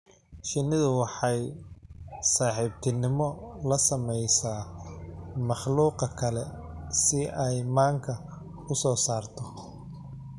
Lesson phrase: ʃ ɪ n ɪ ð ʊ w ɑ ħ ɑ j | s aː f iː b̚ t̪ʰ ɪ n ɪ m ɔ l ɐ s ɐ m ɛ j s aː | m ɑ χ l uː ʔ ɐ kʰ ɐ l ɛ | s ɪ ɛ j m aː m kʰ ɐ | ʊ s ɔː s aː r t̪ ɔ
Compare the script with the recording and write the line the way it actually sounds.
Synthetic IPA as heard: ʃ ɪ n ɪ ð ʊ w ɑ ħ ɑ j | s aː ħ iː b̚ t̪ʰ ɪ n ɪ m ɔ l ɐ s ɐ m ɛ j s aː | m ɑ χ l uː q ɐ kʰ ɐ l ɛ | s ɪ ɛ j m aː ŋ kʰ ɐ | ʊ s ɔː s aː r t̪ʰ ɔ